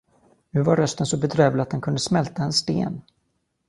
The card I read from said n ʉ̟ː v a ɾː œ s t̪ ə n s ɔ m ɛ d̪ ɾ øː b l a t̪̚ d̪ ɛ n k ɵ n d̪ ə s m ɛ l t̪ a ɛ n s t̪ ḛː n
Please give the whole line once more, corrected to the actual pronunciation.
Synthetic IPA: n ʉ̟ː v a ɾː œ s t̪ ə n s ɔ b ɛ d̪ ɾ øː v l a t̪̚ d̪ ɛ n k ɵ n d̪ ə s m ɛ l t̪ a ɛ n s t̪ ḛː n